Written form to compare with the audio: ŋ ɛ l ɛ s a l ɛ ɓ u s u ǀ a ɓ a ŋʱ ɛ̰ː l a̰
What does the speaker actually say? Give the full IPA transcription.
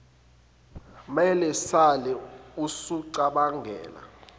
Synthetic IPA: m ɛ l ɛ s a l ɛ u s u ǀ a ɓ a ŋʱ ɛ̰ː l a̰